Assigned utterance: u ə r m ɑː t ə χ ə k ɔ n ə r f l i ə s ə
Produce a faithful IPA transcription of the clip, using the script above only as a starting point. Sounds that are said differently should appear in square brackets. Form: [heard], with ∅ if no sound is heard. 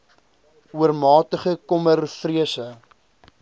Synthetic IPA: u ə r m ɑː t ə χ ə k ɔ [m] ə r f [r] i ə s ə